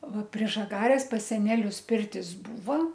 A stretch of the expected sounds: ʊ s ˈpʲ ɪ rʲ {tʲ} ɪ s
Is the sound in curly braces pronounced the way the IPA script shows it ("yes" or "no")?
yes